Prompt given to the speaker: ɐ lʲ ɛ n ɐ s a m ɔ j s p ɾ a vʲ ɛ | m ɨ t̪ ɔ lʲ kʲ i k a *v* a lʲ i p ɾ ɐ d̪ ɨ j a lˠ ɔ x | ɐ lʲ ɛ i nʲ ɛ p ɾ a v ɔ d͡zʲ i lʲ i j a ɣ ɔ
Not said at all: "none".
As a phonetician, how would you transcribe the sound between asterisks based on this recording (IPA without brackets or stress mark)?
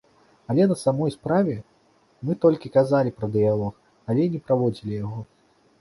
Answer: z